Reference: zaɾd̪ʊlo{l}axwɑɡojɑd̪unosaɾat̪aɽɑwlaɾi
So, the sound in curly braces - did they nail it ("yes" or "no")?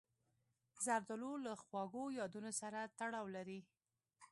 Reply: yes